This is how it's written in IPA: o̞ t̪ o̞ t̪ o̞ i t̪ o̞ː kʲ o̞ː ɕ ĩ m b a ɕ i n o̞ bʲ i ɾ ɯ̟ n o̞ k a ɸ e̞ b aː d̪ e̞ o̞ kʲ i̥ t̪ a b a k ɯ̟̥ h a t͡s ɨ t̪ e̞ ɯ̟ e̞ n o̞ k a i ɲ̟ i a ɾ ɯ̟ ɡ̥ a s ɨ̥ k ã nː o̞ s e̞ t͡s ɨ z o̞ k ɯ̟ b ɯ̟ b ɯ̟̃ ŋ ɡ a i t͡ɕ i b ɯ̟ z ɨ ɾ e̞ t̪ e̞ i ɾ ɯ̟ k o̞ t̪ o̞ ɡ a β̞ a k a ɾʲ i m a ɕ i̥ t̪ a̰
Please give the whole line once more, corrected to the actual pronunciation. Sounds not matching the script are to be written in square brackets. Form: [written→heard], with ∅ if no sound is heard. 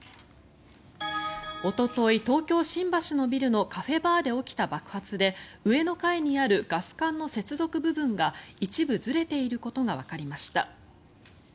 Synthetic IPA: o̞ t̪ o̞ t̪ o̞ i t̪ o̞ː kʲ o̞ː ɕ ĩ m b a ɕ i n o̞ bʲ i ɾ ɯ̟ n o̞ k a ɸ e̞ b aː d̪ e̞ o̞ kʲ i̥ t̪ a b a k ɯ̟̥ h a t͡s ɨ [t̪→d̪] e̞ ɯ̟ e̞ n o̞ k a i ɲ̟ i a ɾ ɯ̟ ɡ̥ a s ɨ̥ k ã nː o̞ s e̞ t͡s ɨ z o̞ k ɯ̟ b ɯ̟ b ɯ̟̃ ŋ ɡ a i t͡ɕ i b ɯ̟ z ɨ ɾ e̞ t̪ e̞ i ɾ ɯ̟ k o̞ t̪ o̞ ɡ a β̞ a k a ɾʲ i m a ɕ i̥ t̪ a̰